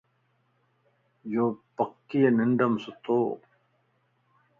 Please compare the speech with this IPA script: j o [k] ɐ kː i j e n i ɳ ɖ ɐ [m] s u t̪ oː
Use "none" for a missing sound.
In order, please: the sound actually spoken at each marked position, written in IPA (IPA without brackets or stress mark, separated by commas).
p, m